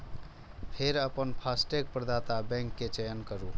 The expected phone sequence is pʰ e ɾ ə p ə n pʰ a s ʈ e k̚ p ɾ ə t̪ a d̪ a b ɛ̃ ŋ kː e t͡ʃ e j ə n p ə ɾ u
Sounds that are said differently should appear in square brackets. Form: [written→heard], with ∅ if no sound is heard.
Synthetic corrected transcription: pʰ e ɾ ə p ə n pʰ a s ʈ e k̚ p ɾ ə [t̪→d̪] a [d̪→t̪] a b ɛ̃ ŋ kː e t͡ʃ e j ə n [p→k] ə ɾ u